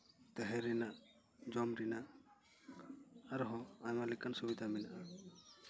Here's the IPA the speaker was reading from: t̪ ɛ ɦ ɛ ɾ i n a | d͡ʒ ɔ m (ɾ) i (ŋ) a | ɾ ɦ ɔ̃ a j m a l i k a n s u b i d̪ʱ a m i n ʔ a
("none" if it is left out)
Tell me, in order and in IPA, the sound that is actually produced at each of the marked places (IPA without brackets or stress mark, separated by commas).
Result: ɾ, n